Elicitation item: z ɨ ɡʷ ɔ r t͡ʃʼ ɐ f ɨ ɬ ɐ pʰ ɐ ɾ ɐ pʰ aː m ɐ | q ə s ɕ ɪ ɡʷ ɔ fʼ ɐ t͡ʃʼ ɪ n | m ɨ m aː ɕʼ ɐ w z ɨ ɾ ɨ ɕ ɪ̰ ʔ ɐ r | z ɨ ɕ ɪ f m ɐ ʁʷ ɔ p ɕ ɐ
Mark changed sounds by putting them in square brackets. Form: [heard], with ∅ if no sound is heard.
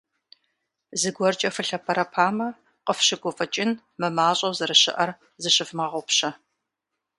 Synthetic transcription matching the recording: z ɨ ɡʷ ɔ r t͡ʃʼ ɐ f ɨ ɬ ɐ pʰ ɐ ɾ ɐ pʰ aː m ɐ | q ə [f] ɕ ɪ ɡʷ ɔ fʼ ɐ t͡ʃʼ ɪ n | m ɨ m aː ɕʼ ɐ w z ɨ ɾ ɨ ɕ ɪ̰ ʔ ɐ r | z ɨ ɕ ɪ f m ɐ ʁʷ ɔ p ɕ ɐ